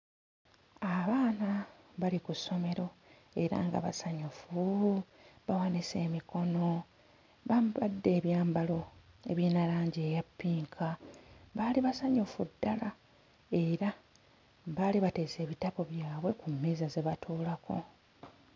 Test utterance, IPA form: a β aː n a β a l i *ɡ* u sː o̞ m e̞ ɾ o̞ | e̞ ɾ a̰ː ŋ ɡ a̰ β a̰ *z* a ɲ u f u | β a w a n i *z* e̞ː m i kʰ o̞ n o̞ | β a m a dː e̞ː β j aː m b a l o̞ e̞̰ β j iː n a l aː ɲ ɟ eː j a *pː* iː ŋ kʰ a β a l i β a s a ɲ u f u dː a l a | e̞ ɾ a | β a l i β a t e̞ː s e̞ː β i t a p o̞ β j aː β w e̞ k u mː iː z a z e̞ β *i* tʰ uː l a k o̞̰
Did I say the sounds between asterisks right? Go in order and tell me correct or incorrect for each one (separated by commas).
incorrect, incorrect, incorrect, correct, incorrect